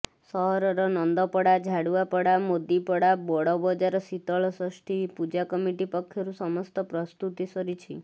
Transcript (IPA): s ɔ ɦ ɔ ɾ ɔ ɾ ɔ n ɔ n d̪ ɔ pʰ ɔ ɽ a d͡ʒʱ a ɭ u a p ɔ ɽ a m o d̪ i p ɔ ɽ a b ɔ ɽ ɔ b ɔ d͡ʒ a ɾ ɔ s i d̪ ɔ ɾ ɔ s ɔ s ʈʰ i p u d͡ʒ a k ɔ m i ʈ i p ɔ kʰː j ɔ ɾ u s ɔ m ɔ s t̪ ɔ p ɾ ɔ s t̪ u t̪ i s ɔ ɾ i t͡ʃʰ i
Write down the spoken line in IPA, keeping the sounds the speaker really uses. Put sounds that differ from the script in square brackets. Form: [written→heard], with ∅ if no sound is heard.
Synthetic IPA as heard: s ɔ ɦ ɔ ɾ ɔ ɾ ɔ n ɔ n d̪ ɔ [pʰ→p] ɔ ɽ a d͡ʒʱ a [ɭ→ɽ] u a p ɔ ɽ a m o d̪ i p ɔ ɽ a b ɔ ɽ ɔ b ɔ d͡ʒ a ɾ ɔ s i [d̪→t̪] ɔ [ɾ→ɭ] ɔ s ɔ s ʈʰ i p u d͡ʒ a k ɔ m i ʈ i p ɔ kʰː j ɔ ɾ u s ɔ m ɔ s t̪ ɔ p ɾ ɔ s t̪ u t̪ i s ɔ ɾ i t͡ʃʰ i